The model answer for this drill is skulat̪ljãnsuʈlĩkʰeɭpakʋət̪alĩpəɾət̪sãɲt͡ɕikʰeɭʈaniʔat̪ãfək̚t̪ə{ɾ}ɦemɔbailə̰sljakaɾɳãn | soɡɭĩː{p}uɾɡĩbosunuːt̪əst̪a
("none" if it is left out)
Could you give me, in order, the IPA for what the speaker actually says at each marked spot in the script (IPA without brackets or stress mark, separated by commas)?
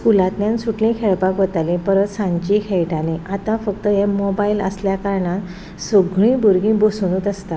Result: none, b